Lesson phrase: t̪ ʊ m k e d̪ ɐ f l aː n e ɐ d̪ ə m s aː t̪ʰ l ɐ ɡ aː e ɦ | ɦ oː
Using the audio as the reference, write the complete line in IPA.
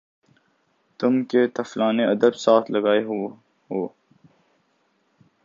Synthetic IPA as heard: t̪ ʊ m k e t̪ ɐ f l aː n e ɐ d̪ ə b s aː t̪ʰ l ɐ ɡ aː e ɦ | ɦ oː